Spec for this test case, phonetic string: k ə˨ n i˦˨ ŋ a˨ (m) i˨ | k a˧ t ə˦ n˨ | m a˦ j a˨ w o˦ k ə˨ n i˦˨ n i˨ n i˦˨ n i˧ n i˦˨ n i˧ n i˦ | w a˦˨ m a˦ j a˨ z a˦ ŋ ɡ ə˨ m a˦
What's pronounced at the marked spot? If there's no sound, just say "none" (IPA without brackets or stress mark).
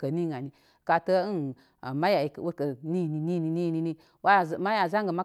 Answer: n